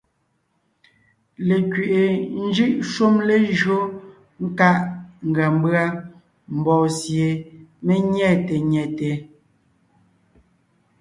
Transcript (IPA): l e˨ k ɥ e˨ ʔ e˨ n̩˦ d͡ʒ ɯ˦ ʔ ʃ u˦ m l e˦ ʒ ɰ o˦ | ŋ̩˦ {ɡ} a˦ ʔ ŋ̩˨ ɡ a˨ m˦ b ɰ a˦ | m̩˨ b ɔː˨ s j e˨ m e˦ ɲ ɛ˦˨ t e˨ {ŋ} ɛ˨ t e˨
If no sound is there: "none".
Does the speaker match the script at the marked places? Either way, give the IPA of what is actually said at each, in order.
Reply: k, ɲ

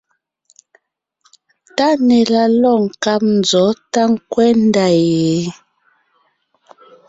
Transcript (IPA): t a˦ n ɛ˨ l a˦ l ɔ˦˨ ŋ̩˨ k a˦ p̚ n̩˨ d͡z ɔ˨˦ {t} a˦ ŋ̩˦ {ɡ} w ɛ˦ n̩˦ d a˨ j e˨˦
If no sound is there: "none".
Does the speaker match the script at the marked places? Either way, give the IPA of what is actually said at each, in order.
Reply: t, k

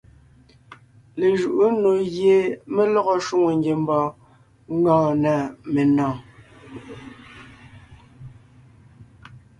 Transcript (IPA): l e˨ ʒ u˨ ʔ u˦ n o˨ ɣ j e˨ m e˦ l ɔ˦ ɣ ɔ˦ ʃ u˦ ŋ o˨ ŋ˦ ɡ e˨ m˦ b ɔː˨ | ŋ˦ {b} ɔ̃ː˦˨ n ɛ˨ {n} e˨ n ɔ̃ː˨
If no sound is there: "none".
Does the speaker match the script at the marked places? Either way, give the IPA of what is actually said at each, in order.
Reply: ɡ, m

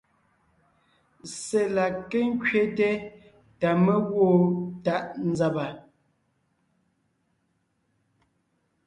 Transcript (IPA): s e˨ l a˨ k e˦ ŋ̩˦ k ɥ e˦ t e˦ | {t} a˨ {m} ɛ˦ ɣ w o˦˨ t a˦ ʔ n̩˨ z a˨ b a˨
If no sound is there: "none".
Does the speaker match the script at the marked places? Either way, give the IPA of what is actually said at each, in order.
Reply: t, m

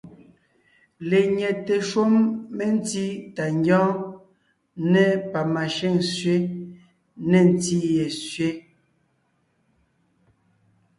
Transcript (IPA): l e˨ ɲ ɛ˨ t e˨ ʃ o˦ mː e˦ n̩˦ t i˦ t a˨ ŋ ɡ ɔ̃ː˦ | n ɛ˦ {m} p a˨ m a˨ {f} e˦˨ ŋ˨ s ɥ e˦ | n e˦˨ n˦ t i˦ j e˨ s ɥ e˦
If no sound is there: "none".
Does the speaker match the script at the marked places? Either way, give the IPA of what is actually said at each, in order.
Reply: none, ʃ

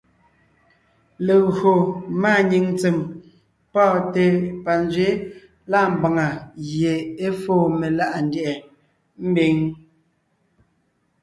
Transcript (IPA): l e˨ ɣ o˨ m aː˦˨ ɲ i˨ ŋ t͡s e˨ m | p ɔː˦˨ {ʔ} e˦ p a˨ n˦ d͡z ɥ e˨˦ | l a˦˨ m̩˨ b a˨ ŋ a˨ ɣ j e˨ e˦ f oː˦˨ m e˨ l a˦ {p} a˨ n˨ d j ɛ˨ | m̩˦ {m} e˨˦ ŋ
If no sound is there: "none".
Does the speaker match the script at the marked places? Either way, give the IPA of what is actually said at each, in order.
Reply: t, ʔ, b

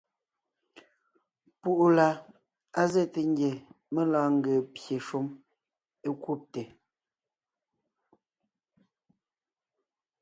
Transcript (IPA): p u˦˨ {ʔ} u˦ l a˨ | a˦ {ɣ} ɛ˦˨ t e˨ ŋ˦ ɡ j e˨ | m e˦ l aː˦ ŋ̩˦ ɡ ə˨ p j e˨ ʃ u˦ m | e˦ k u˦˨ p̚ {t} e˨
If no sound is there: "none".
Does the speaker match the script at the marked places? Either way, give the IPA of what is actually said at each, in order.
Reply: ʔ, z, t

